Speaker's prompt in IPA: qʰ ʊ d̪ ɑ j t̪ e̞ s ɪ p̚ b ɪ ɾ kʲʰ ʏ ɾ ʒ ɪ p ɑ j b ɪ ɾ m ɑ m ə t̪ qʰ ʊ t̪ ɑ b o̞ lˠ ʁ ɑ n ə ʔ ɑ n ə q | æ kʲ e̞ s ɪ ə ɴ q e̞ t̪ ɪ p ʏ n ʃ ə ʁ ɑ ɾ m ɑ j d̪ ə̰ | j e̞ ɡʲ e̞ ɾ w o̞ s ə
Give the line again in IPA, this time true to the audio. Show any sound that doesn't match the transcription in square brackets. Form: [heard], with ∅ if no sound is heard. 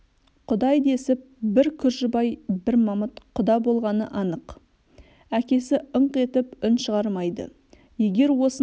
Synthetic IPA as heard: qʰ ʊ d̪ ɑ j [d̪] e̞ s ɪ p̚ b ɪ ɾ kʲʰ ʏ ɾ ʒ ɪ [b] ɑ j b ɪ ɾ m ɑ m ə t̪ qʰ ʊ [d̪] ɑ b o̞ lˠ ʁ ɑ n ə ʔ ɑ n ə q | æ kʲ e̞ s ɪ ə ɴ q e̞ t̪ ɪ p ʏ n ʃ ə ʁ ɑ ɾ m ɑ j d̪ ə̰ | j e̞ ɡʲ e̞ ɾ w o̞ s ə